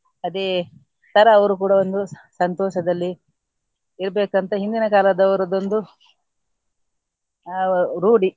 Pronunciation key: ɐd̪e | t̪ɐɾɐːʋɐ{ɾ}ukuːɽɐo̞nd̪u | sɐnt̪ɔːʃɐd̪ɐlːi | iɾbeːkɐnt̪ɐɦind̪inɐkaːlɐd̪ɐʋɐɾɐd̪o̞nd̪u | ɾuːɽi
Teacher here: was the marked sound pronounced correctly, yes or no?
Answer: yes